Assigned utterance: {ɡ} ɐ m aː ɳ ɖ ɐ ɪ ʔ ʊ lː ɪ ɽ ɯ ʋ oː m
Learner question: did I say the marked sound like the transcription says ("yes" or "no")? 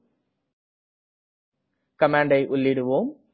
no